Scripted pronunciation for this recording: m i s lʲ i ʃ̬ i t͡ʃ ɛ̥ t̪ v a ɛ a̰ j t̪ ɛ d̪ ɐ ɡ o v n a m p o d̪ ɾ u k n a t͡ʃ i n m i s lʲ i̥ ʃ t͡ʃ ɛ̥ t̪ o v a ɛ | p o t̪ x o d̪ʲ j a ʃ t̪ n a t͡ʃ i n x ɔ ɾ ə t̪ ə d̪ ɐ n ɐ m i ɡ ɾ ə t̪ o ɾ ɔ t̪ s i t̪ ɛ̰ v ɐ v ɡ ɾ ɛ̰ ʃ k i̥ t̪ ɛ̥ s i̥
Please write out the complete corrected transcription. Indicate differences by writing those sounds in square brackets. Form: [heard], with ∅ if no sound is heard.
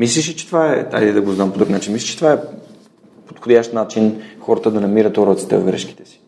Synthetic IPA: m i s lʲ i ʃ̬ i t͡ʃ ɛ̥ t̪ v a ɛ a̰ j [d̪] ɛ d̪ ɐ ɡ o [z] n a m p o d̪ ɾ u k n a t͡ʃ i n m i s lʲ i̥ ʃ t͡ʃ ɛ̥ t̪ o v a ɛ | p o t̪ x o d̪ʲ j a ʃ t̪ n a t͡ʃ i n x ɔ ɾ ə t̪ ə d̪ ɐ n ɐ m i [∅] ɾ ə t̪ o ɾ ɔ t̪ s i t̪ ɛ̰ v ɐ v ɡ ɾ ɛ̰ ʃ k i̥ t̪ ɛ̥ s i̥